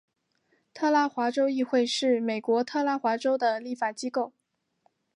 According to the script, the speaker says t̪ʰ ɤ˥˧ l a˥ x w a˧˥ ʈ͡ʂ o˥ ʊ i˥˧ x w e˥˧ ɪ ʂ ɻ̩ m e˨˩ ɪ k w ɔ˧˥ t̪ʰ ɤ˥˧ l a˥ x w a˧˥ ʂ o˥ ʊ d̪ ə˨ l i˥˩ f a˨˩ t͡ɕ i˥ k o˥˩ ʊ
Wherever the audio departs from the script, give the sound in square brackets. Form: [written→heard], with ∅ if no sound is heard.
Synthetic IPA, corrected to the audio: t̪ʰ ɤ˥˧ l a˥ x w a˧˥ ʈ͡ʂ o˥ ʊ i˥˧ x w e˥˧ ɪ ʂ ɻ̩ m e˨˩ ɪ k w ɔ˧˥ t̪ʰ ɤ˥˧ l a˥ x w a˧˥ [ʂ→ʈ͡ʂ] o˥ ʊ d̪ ə˨ l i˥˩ f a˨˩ t͡ɕ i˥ k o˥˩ ʊ